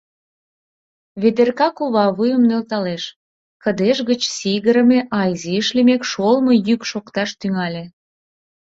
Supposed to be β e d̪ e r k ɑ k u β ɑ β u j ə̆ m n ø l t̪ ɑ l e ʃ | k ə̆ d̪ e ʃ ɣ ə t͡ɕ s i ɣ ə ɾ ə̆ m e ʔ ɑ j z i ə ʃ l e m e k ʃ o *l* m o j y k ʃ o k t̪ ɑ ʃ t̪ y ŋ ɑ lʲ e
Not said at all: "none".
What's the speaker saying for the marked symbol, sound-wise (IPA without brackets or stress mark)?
l